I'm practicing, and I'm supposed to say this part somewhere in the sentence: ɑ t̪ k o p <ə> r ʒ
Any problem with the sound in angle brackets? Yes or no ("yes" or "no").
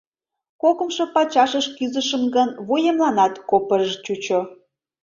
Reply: no